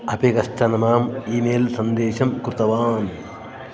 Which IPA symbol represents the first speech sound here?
ɐ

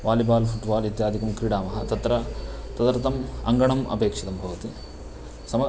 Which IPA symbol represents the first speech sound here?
ʋ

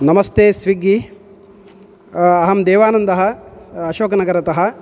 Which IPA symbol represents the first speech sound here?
n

